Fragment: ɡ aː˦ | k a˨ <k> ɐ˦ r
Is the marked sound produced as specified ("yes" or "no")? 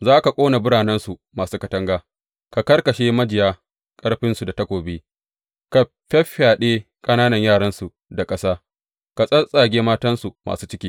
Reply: yes